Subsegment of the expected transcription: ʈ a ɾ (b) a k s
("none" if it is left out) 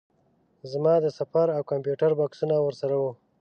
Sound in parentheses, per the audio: b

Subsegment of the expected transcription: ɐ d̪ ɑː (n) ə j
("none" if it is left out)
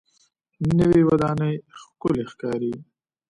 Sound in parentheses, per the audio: n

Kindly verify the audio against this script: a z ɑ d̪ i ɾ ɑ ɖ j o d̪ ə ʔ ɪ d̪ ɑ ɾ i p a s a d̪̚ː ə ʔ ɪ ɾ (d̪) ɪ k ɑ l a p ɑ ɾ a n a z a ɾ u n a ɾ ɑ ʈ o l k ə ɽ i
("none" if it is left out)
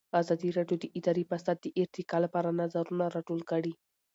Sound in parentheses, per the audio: t̪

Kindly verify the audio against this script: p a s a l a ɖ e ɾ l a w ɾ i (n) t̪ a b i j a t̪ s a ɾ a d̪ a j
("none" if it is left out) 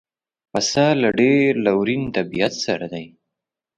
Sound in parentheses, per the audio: n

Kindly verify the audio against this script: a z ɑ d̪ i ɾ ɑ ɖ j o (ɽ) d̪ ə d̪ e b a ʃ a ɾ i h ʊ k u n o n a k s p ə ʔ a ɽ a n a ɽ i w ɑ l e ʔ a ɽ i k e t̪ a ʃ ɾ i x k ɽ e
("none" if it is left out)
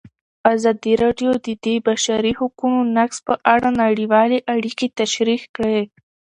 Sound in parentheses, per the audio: none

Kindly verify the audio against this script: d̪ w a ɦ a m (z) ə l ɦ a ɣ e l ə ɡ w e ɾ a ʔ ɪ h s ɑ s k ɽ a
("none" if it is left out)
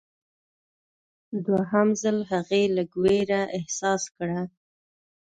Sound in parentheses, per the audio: z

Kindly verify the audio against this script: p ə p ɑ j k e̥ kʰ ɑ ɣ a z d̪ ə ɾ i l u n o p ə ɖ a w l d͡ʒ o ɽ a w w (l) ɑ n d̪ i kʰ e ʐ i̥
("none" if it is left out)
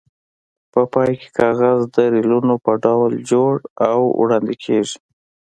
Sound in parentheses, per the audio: ɽ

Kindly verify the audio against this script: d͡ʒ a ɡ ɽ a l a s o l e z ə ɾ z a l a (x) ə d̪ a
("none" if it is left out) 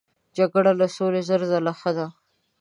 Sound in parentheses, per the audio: x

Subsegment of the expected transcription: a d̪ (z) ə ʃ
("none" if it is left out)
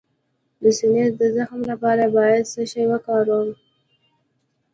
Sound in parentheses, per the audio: s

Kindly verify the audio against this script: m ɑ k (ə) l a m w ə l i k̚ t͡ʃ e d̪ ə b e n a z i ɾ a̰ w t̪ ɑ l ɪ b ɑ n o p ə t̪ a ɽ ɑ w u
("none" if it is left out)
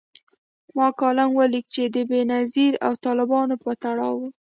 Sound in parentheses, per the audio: ɑ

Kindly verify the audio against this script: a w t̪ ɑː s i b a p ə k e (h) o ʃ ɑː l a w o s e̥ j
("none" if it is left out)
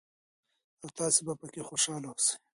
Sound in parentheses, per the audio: x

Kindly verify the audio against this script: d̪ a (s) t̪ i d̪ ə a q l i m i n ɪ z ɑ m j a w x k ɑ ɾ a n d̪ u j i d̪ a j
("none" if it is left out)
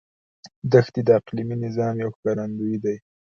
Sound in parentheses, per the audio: x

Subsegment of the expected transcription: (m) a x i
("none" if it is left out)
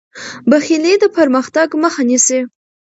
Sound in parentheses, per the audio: b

